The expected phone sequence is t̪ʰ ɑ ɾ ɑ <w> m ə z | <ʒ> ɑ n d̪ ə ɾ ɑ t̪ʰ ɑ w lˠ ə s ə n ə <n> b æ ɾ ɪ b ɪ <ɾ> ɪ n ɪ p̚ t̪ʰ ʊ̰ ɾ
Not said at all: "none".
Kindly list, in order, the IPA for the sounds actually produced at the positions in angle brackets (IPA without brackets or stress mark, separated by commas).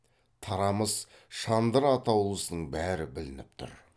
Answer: none, ʃ, ɴ, l